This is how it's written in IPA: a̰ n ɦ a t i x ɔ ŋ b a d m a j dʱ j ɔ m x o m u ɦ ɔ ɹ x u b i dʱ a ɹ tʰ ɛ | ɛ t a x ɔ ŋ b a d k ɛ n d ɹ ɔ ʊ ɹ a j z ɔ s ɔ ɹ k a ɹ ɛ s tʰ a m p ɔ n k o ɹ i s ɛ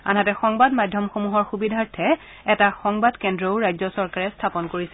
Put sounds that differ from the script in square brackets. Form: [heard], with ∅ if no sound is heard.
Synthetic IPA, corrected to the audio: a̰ n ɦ a t [ɛ] x ɔ ŋ b a d m a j dʱ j ɔ m x o m u ɦ ɔ ɹ x u b i dʱ a ɹ tʰ ɛ | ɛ t a x ɔ ŋ b a d k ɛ n d ɹ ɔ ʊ ɹ a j z ɔ s ɔ ɹ k a ɹ ɛ s tʰ a [∅] p ɔ n k o ɹ i s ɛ